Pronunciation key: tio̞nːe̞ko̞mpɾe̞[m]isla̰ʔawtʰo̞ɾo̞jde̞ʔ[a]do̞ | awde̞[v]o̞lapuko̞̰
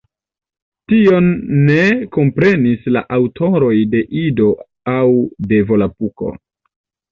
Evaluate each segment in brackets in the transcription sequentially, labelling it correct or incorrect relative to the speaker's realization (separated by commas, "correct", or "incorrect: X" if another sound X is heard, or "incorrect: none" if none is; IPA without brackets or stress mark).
incorrect: n, incorrect: i, correct